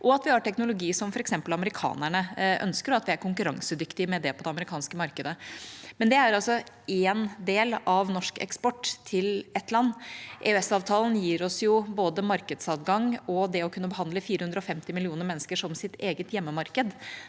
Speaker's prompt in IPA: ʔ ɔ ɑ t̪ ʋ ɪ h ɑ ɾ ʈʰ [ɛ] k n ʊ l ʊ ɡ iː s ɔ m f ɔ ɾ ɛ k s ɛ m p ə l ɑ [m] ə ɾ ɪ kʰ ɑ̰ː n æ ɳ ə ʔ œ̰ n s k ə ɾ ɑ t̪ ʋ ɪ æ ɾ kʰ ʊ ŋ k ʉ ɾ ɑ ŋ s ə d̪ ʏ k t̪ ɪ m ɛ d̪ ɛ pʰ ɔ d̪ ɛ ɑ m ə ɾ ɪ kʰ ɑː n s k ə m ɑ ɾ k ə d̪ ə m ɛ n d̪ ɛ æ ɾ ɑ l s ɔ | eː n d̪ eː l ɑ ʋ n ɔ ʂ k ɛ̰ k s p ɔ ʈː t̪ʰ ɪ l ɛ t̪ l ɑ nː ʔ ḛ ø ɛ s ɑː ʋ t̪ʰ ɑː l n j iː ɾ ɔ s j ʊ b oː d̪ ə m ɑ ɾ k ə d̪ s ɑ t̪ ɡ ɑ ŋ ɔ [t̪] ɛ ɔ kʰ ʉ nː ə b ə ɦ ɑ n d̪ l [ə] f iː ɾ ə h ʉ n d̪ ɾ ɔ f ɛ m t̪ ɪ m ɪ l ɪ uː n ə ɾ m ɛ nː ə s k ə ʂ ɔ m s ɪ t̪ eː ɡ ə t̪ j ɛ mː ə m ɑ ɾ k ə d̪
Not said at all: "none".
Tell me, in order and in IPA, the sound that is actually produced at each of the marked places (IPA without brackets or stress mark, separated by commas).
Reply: ɛ, m, d̪, ə